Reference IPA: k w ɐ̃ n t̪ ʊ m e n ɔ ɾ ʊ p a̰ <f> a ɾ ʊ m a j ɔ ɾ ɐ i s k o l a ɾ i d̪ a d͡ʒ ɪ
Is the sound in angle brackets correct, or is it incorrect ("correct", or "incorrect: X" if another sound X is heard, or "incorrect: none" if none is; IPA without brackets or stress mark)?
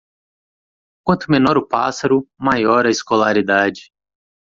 incorrect: s